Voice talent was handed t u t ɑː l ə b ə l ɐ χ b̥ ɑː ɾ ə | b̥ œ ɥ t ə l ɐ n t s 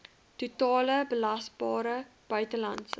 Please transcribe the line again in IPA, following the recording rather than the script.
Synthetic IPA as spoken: t u t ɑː l ə b ə l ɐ s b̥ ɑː ɾ ə | b̥ œ ɥ t ə l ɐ n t s

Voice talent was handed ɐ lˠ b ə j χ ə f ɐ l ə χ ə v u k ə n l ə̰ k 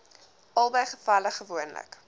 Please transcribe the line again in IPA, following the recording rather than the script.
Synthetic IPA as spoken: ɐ lˠ b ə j χ ə f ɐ l ə χ ə v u ə n l ə̰ k

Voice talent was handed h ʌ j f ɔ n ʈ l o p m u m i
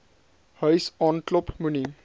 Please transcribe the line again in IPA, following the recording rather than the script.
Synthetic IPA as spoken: h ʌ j s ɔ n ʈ l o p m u n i

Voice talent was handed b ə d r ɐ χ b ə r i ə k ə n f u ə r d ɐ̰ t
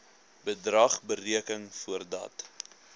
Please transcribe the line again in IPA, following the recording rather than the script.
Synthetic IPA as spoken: b ə d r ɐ χ b ə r i ə k ə ŋ f u ə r d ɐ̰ t

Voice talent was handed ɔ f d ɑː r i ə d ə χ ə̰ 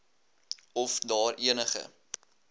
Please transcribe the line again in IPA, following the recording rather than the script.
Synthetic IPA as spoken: ɔ f d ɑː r i ə n ə χ ə̰

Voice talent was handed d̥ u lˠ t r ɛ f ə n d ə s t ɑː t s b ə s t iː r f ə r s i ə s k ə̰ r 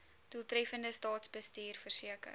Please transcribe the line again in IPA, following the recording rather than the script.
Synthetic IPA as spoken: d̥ u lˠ t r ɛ f ə n d ə s t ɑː t s b ə s t iː r f ə r s i ə k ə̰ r

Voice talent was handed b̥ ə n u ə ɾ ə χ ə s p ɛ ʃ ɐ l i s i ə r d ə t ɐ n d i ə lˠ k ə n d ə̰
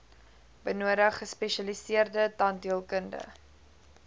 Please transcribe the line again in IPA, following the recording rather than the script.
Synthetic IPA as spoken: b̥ ə n u ə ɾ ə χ ə s p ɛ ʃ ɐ l i s i ə r d ə t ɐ n d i ə lˠ k ə n d ə̰

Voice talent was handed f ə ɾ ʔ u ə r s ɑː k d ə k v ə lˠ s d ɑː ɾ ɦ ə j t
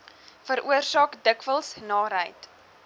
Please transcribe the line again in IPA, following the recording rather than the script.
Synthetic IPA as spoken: f ə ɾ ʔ u ə r s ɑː k d ə k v ə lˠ s n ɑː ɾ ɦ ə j t

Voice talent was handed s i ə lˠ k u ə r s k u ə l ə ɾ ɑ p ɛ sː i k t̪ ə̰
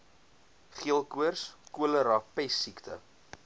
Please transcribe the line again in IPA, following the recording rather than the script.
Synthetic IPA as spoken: χ i ə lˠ k u ə r s k u ə l ə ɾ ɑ p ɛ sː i k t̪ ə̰

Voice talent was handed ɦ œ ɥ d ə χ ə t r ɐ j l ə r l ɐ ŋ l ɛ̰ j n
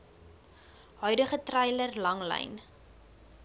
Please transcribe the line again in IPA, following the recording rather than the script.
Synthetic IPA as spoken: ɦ œ ɥ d ə χ ə t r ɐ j l ə r l ɐ ŋ l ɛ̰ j n

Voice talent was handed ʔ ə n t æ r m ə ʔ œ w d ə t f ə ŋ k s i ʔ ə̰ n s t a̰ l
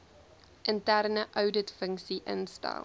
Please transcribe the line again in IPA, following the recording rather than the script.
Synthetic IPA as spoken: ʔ ə n t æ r n ə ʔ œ w d ə t f ə ŋ k s i ʔ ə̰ n s t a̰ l

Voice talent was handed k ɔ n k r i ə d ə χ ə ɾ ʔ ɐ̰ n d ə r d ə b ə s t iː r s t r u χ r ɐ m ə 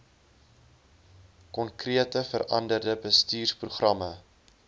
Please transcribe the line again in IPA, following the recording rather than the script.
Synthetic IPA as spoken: k ɔ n k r i ə t ə f ə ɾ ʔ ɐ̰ n d ə r d ə b ə s t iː r s p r u χ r ɐ m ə

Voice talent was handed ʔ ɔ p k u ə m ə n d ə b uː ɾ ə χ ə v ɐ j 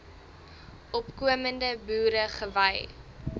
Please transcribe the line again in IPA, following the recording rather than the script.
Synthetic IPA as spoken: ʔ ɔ p k u ə m ə n d ə b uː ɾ ə χ ə v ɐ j

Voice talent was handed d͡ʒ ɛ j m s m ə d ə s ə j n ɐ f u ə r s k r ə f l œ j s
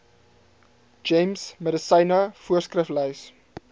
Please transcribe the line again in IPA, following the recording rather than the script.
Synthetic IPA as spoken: d͡ʒ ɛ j m s m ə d ə s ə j n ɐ f u ə r s k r ə f l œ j s

